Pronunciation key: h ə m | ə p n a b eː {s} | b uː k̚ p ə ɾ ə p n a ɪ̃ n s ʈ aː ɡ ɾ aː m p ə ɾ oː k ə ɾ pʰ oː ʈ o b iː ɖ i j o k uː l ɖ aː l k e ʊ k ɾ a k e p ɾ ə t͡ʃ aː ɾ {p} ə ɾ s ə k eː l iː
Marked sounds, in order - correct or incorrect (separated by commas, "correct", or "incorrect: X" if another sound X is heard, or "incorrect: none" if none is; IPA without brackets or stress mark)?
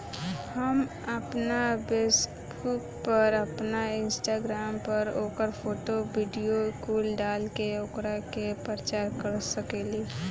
correct, incorrect: k